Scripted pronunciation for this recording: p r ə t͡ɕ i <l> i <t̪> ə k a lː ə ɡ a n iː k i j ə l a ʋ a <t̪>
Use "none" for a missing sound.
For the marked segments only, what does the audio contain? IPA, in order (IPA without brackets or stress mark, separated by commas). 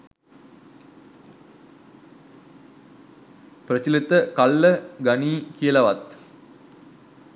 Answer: l, t̪, t̪